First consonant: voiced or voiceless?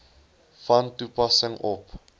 voiceless